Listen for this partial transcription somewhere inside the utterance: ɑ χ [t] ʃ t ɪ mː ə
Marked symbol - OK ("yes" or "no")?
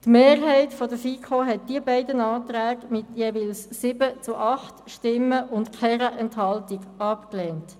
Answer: yes